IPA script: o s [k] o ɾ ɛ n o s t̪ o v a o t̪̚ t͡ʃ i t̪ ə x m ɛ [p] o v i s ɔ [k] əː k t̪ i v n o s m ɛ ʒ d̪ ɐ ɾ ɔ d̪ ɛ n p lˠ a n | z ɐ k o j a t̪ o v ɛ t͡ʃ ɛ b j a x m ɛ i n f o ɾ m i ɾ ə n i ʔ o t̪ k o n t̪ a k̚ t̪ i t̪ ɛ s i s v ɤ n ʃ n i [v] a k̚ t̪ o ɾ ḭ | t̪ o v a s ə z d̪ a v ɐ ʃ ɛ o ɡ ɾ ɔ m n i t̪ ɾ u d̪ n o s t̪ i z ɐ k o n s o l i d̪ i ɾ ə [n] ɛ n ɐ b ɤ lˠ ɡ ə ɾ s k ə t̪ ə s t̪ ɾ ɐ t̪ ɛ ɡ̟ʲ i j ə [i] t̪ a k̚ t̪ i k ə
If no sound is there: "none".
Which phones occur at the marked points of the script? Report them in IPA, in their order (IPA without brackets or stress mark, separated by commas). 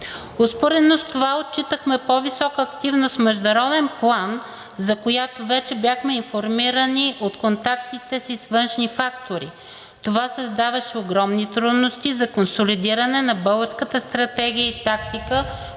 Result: p, p, k, f, n, i